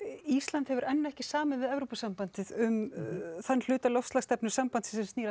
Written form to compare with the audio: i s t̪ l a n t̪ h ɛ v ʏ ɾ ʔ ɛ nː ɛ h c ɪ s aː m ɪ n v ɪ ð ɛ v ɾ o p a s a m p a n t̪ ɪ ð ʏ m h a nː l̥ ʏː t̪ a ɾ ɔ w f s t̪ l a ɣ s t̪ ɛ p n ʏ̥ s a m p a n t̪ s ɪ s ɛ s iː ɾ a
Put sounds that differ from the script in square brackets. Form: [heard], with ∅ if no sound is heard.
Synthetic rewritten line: i s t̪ l a n t̪ h ɛ v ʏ ɾ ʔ ɛ nː ɛ h c ɪ s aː m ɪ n v ɪ ð ɛ v ɾ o p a s a m p a n t̪ ɪ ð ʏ m [θ] a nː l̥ ʏː t̪ a [l] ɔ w f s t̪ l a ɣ s t̪ ɛ p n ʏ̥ s a m p a n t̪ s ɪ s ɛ s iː ɾ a